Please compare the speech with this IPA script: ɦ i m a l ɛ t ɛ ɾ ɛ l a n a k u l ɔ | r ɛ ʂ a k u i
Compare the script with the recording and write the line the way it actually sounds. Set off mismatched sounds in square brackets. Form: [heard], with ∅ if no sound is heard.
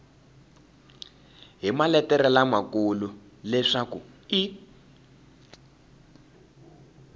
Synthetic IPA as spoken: ɦ i m a l ɛ t ɛ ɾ ɛ l a [m] a k u l [u] | [l] ɛ ʂ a k u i